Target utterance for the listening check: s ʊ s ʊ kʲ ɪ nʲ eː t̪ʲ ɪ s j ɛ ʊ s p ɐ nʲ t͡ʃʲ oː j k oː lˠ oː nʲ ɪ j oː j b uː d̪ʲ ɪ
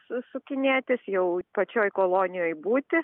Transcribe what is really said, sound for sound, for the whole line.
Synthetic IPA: s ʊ s ʊ kʲ ɪ nʲ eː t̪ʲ ɪ s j ɛ ʊ p ɐ t͡ʃʲ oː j k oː lˠ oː nʲ ɪ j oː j b uː t̪ʲ ɪ